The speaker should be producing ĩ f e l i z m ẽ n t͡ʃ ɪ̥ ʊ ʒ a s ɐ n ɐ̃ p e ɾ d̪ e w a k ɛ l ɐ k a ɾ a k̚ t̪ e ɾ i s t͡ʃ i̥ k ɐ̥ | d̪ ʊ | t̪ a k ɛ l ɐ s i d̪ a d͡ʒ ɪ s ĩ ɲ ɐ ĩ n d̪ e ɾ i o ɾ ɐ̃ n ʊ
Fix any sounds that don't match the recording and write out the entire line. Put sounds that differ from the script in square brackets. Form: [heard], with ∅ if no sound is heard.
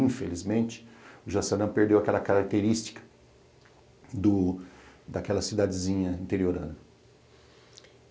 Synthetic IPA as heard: ĩ f e l i z m ẽ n t͡ʃ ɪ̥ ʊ ʒ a s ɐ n ɐ̃ p e ɾ d̪ e w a k ɛ l ɐ k a ɾ a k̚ t̪ e ɾ i s t͡ʃ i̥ k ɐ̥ | d̪ ʊ | [d̪] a k ɛ l ɐ s i d̪ a d͡ʒ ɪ [z] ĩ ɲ ɐ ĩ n [t̪] e ɾ i o ɾ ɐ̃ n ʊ